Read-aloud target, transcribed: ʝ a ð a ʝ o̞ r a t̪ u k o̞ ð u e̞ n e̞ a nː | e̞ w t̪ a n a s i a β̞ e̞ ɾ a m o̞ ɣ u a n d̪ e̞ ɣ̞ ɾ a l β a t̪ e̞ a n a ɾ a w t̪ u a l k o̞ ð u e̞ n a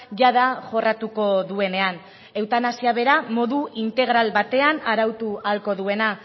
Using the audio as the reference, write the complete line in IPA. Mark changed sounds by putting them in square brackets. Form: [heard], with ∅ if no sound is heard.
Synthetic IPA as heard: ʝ a ð a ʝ o̞ r a t̪ u k o̞ ð u e̞ n e̞ a [n] | e̞ w t̪ a n a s i a β̞ e̞ ɾ a m o̞ [ð] u [i] n [t̪] e̞ ɣ̞ ɾ a l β a t̪ e̞ a n a ɾ a w t̪ u a l k o̞ ð u e̞ n a